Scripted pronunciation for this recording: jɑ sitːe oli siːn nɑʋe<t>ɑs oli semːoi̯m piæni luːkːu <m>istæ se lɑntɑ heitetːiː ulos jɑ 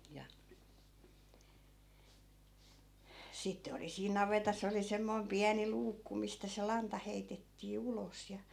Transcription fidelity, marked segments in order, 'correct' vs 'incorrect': correct, correct

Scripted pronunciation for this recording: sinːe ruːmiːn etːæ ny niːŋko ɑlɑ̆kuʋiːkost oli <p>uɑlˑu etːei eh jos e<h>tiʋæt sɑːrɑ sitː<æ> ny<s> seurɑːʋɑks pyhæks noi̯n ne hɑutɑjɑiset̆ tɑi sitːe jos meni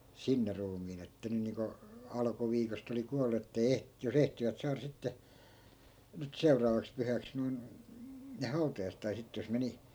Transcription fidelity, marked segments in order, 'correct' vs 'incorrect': incorrect: k, correct, incorrect: e, incorrect: t

